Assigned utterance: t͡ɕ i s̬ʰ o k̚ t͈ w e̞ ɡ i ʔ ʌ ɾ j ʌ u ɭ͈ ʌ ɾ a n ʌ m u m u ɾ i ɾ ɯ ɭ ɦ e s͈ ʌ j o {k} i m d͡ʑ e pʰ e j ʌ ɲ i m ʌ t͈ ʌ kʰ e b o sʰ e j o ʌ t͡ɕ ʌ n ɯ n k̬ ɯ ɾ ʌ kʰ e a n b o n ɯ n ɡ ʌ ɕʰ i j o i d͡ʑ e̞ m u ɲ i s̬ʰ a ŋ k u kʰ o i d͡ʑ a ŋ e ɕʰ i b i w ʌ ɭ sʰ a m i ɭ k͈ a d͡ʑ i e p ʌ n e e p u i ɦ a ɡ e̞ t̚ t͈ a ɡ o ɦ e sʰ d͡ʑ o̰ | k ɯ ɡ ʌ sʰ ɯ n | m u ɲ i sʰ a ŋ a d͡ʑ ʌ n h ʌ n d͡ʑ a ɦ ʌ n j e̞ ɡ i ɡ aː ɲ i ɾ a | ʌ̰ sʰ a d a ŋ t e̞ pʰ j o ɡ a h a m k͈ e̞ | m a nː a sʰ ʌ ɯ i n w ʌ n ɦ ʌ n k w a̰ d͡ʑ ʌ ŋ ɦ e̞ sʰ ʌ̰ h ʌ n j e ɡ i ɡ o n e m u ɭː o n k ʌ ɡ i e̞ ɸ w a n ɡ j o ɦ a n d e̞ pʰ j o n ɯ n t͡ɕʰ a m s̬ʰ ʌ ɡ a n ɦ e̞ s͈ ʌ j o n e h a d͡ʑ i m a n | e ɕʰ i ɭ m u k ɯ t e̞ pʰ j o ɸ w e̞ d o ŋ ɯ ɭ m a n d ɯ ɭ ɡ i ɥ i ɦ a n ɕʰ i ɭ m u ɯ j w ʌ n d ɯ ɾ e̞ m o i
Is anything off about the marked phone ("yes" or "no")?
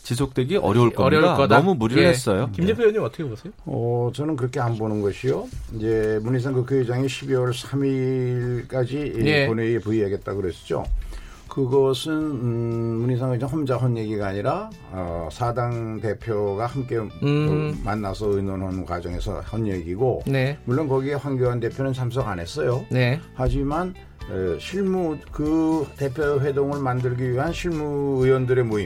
no